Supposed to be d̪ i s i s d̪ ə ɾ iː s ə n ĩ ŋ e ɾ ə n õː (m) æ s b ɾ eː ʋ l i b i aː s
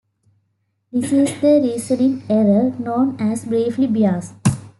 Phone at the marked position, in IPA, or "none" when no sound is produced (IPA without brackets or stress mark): n